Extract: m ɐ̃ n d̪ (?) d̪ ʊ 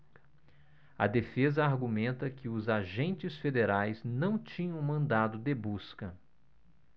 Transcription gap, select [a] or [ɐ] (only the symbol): a